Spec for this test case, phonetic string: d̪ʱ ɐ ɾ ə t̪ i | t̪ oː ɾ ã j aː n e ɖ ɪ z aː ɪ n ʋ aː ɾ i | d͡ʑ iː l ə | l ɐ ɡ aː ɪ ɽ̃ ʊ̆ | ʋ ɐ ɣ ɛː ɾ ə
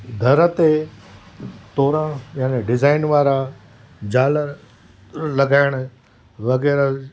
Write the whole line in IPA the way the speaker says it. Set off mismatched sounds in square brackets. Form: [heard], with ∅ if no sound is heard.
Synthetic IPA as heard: d̪ʱ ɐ ɾ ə t̪ [e] | t̪ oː ɾ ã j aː n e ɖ ɪ z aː ɪ n ʋ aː ɾ [a] | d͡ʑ [aː] l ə | l ɐ ɡ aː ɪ ɽ̃ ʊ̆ | ʋ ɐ ɣ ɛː ɾ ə